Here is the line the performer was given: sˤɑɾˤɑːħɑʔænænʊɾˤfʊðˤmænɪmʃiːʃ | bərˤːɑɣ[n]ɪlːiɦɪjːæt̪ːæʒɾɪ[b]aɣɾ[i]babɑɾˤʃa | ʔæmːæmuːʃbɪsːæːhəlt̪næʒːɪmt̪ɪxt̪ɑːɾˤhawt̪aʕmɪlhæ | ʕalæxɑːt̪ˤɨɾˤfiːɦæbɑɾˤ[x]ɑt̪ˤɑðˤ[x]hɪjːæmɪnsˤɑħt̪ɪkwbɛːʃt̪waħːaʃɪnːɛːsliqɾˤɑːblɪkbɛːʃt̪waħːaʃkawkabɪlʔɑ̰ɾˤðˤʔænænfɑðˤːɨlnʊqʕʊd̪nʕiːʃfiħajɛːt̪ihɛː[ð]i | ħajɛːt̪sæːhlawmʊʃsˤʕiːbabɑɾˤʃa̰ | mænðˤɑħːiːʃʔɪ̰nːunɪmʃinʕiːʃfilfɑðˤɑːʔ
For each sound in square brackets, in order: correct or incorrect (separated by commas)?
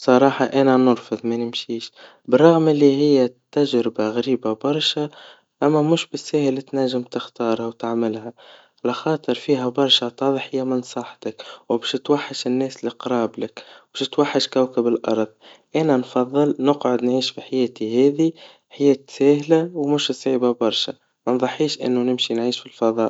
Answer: incorrect, correct, incorrect, incorrect, incorrect, correct